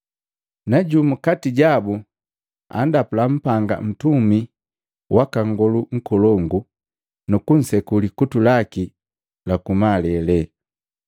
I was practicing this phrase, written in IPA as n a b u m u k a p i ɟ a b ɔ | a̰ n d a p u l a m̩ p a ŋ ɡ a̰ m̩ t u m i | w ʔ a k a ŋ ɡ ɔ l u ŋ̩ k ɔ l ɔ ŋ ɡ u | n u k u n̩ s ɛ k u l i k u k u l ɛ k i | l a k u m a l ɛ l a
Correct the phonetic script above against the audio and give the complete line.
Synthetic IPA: n a ɟ u m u k a t i ɟ a b u | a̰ n d a p u l a m̩ p a ŋ ɡ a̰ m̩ t u m i | w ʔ a k a ŋ ɡ ɔ l u ŋ̩ k ɔ l ɔ ŋ ɡ u | n u k u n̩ s ɛ k u l i k u t u l a k i | l a k u m a l ɛ l ɛ